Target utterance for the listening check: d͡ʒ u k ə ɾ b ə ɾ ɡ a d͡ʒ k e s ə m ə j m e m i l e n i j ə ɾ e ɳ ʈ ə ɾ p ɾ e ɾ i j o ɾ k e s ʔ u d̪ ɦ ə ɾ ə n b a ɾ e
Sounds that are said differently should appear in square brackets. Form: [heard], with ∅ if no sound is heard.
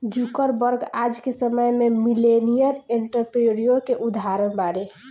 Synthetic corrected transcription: d͡ʒ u k ə ɾ b ə ɾ ɡ a d͡ʒ k e s ə m ə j m e m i l e n i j ə ɾ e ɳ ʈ ə ɾ p ɾ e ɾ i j o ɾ k e [∅] ʔ u d̪ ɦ [a] ɾ ə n b a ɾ e